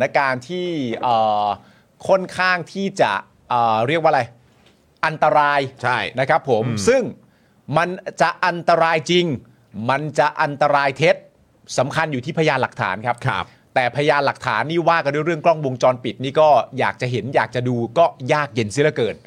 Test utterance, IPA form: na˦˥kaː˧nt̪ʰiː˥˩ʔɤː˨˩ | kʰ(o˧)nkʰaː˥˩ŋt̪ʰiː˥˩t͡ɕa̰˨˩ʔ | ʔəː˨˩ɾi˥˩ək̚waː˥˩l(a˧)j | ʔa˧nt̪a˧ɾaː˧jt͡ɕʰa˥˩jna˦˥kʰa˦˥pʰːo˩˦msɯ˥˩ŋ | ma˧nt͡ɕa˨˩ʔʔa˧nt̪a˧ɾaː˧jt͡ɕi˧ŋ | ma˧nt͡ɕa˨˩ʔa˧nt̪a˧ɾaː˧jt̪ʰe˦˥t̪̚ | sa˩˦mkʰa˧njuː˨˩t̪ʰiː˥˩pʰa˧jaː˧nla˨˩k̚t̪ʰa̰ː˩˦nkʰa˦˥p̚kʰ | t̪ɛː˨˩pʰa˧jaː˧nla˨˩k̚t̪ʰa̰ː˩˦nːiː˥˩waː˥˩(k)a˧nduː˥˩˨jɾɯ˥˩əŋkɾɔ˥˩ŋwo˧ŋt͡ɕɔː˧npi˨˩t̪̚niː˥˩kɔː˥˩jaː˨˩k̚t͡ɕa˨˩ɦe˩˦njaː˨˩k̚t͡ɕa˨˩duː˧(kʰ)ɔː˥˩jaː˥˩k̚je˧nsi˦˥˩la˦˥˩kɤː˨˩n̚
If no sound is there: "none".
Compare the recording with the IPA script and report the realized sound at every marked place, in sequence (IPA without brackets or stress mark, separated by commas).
o˥˩, a˧, k, k